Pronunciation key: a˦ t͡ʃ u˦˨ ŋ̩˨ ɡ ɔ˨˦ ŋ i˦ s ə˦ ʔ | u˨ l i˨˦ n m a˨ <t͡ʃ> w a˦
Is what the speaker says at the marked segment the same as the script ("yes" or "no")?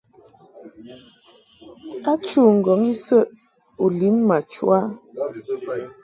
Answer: yes